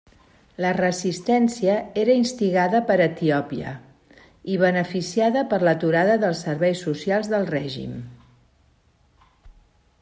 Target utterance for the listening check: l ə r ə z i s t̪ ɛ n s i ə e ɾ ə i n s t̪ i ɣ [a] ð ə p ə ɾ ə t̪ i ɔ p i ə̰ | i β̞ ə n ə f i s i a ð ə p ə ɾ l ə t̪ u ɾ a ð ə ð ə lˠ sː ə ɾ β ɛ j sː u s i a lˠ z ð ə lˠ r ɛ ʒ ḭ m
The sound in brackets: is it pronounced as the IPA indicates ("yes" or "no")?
yes